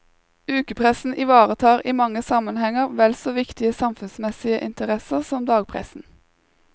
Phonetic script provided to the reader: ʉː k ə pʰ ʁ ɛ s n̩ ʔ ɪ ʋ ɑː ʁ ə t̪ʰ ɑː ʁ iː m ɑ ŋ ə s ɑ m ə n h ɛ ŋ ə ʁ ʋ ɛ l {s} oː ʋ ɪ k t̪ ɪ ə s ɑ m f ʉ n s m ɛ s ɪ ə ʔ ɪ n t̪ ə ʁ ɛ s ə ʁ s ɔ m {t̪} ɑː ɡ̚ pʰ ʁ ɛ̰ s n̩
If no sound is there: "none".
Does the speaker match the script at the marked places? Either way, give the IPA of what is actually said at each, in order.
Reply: s, d̪

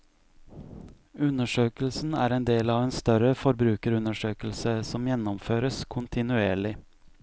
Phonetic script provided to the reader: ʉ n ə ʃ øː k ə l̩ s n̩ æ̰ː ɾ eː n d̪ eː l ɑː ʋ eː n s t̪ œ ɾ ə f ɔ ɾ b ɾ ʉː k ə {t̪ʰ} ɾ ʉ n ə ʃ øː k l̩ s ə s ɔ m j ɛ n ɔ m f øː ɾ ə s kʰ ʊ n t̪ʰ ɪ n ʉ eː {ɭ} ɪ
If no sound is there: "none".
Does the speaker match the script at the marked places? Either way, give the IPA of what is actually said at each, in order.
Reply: none, ɭ

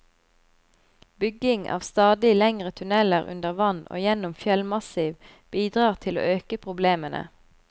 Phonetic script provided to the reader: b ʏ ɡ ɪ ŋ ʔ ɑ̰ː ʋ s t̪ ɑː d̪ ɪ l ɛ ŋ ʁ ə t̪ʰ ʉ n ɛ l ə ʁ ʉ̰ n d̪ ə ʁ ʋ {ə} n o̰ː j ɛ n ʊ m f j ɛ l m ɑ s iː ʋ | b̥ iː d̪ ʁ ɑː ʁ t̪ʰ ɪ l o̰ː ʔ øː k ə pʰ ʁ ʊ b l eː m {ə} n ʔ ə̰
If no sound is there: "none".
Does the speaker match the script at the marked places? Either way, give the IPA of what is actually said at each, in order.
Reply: ɑ, ə

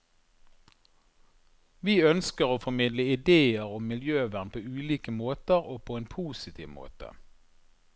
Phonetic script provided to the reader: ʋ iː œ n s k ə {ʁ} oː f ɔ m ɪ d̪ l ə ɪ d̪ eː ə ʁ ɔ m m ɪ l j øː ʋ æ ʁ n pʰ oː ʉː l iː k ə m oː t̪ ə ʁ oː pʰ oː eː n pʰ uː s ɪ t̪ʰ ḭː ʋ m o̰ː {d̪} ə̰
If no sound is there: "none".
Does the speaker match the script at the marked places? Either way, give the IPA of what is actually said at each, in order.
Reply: ʁ, t̪

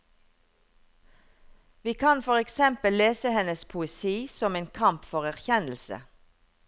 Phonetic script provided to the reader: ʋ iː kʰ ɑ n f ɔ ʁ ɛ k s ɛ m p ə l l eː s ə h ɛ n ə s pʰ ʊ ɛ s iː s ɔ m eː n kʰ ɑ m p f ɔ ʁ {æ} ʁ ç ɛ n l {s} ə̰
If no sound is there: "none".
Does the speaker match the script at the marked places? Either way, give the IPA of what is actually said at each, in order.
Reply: æ, s

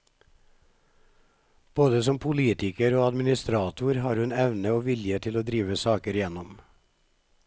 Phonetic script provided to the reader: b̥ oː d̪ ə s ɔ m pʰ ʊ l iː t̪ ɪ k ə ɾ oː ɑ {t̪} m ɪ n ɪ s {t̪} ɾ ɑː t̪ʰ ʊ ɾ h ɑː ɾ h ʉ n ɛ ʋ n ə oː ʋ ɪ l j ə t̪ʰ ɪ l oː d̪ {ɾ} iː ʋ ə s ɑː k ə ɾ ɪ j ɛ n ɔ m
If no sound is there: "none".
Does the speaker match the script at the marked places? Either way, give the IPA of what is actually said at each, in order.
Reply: d̪, t̪, ɾ

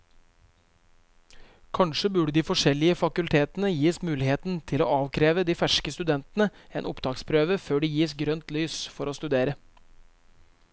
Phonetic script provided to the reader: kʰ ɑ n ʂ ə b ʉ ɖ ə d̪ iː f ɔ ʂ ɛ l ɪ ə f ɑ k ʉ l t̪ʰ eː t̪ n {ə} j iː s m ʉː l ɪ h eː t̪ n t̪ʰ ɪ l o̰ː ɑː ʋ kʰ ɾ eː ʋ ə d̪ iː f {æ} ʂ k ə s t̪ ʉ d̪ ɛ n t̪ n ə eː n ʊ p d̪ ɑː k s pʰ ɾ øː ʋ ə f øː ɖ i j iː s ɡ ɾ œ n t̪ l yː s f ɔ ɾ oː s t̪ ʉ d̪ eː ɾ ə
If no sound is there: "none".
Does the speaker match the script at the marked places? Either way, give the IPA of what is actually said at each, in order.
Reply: ə, æ

